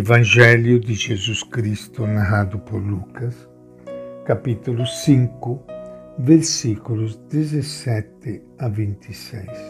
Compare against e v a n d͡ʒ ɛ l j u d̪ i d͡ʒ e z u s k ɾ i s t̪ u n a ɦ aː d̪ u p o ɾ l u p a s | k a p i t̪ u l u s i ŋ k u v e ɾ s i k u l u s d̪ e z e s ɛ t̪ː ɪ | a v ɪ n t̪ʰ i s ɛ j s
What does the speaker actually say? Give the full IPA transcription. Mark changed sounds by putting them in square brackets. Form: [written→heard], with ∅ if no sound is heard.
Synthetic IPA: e v a n d͡ʒ ɛ l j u d̪ i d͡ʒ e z u s k ɾ i s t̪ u n a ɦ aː d̪ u p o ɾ l u [p→k] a s | k a p i t̪ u l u s i ŋ k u v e ɾ s i k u l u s d̪ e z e s ɛ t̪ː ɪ | a v [ɪ→i] n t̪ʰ i s ɛ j s